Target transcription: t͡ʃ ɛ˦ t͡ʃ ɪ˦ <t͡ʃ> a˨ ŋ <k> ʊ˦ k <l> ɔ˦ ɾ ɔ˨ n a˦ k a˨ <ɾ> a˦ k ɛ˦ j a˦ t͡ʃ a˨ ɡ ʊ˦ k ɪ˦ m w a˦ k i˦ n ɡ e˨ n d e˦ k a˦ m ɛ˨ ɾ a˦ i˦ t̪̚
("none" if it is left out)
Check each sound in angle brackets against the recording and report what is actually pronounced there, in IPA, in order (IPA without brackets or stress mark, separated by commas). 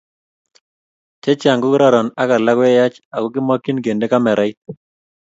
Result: none, ɡ, ɾ, l